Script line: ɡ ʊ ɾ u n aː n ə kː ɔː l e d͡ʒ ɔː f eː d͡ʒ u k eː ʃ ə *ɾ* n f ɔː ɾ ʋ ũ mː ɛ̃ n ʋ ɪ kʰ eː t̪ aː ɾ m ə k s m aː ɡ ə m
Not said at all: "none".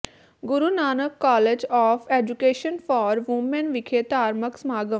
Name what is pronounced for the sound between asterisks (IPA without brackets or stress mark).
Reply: none